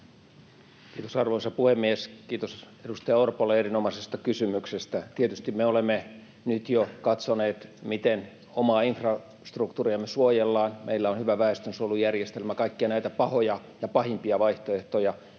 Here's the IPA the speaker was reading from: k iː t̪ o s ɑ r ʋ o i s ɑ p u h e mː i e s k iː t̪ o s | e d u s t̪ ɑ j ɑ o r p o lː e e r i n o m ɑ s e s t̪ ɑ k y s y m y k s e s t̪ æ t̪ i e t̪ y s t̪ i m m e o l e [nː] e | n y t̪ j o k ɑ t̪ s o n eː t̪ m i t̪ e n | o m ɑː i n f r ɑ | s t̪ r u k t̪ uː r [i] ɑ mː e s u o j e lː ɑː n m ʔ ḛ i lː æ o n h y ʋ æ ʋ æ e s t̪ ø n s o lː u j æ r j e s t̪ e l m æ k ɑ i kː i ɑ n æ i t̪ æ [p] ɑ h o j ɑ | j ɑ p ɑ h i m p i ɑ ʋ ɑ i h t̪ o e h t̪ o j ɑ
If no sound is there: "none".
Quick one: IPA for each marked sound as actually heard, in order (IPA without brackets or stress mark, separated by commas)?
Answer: mː, i, p